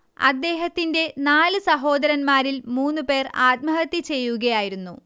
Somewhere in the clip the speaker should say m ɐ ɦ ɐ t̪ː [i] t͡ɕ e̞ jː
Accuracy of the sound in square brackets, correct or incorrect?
correct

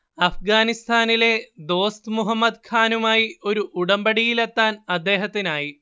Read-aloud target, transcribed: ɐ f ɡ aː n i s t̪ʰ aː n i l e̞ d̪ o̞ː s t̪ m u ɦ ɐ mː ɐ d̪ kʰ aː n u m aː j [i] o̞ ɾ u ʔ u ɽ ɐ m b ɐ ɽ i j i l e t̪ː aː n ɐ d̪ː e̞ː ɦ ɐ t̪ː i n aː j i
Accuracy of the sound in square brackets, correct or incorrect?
correct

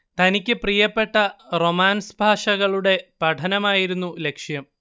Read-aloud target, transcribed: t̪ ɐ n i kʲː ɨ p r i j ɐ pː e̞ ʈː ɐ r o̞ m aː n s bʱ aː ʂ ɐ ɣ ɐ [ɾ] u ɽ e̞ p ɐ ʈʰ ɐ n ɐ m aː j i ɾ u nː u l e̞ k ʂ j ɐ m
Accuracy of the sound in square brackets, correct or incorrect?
incorrect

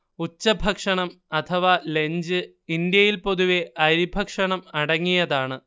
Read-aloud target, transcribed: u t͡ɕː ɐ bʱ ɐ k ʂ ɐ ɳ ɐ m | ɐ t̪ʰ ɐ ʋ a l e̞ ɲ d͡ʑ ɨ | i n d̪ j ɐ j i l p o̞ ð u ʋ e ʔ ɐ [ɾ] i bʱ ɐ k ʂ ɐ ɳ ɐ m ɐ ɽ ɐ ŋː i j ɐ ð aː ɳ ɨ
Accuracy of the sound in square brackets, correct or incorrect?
correct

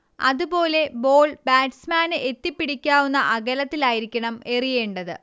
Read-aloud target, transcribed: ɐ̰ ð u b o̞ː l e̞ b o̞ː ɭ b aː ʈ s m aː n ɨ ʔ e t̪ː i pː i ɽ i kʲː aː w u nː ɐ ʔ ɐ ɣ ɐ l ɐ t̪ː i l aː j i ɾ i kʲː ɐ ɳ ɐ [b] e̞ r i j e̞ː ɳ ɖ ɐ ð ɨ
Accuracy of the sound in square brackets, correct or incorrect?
incorrect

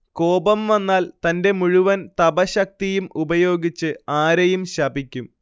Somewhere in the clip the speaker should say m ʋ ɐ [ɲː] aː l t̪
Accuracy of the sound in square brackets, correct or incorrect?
incorrect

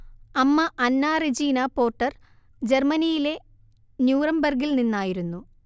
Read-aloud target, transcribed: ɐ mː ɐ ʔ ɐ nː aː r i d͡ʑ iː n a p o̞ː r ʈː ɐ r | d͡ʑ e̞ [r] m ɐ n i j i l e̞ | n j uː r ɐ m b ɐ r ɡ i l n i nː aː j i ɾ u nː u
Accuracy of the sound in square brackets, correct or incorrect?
correct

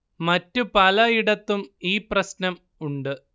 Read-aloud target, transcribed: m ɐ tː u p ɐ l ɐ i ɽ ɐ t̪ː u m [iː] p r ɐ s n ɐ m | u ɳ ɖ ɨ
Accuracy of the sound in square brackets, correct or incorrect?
correct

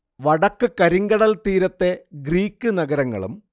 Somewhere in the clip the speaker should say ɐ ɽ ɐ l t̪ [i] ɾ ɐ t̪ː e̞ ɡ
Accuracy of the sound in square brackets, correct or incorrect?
incorrect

